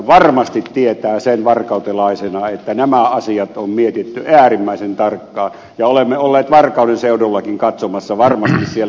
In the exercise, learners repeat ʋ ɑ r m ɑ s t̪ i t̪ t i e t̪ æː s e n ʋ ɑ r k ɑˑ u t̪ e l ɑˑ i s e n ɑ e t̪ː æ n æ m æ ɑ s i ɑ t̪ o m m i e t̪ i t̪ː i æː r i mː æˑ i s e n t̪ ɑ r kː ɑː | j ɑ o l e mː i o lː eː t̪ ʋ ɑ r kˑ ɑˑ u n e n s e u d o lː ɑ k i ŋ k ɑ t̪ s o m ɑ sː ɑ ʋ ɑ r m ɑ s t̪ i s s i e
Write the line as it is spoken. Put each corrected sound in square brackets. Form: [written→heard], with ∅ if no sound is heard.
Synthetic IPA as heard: ʋ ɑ r m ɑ s t̪ i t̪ t i e t̪ æː s e n ʋ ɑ r k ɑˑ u t̪ e l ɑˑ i s e n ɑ e t̪ː æ n æ m æ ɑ s i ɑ t̪ o m m i e t̪ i t̪ː [i→y] æː r i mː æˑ i s e n t̪ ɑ r kː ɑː | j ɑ o l e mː [i→e] o lː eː t̪ ʋ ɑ r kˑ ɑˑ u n e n s e u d o lː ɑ k i ŋ k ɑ t̪ s o m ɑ sː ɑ ʋ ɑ r m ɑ s t̪ i s s i e

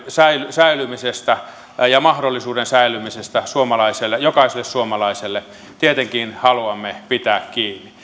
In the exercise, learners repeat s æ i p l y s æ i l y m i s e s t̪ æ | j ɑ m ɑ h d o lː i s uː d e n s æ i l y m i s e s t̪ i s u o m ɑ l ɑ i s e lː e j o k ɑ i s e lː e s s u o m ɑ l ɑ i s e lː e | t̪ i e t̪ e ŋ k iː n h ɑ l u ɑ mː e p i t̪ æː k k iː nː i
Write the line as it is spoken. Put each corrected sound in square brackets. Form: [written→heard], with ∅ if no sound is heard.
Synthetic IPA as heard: s æ i [p→∅] l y s æ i l y m i s e s t̪ æ | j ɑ m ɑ h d o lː i s uː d e n s æ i l y m i s e s t̪ [i→æ] s u o m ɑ l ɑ i s e lː e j o k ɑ i s e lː e s s u o m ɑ l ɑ i s e lː e | t̪ i e t̪ e ŋ k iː n h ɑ l u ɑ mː e p i t̪ æː k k iː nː i

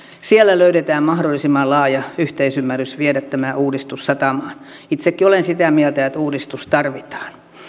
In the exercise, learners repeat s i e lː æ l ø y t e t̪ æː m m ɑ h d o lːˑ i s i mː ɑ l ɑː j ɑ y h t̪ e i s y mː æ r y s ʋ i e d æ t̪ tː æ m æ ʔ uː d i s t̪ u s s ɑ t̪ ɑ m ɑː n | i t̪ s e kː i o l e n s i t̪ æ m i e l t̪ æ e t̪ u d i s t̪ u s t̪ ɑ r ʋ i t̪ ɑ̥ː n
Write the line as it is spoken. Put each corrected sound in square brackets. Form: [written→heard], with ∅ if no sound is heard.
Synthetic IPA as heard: s i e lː æ l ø y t e t̪ æː m m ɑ h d o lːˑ i s i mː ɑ l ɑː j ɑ y h t̪ e i s y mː æ r y s ʋ i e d æ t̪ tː æ m æ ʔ uː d i s t̪ u s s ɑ t̪ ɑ m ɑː n | i t̪ s e kː i o l e n s i t̪ æ m i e l t̪ æ e t̪ [u→uː] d i s t̪ u s t̪ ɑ r ʋ i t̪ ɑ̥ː n

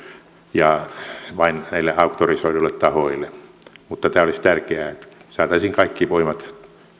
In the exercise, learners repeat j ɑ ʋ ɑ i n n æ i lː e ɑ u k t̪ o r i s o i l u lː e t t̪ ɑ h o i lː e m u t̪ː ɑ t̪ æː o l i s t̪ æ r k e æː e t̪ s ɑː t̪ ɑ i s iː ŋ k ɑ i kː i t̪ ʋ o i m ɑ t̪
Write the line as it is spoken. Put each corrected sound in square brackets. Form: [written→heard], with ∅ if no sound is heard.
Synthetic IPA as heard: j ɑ ʋ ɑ i n n æ i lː e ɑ u k t̪ o r i s o i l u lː e t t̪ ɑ h o i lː e m u t̪ː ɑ t̪ æː o l i s t̪ æ r k e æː e t̪ s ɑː t̪ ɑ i s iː ŋ k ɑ i kː i [t̪→∅] ʋ o i m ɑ t̪

